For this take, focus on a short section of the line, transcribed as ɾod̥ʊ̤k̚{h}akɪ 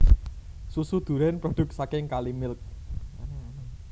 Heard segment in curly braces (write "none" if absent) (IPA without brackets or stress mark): s